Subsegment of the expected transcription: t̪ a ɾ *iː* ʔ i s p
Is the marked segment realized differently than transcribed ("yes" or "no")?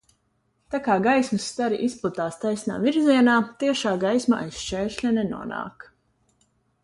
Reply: yes